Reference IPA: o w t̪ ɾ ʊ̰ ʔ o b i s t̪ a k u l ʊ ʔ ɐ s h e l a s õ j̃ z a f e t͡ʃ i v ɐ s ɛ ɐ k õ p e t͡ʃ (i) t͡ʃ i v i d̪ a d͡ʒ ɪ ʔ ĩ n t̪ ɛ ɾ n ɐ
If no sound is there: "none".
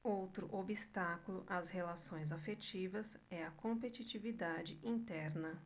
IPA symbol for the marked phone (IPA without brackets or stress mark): i